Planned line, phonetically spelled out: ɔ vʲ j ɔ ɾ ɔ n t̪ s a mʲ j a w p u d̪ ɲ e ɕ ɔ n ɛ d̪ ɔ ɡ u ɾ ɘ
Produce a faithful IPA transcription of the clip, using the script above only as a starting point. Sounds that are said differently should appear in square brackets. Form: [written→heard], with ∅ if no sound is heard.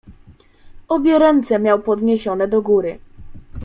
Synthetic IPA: ɔ [vʲ→bʲ] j ɔ ɾ ɔ n t̪ s [a→ɛ] mʲ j a w p [u→ɔ] d̪ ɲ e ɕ ɔ n ɛ d̪ ɔ ɡ u ɾ ɘ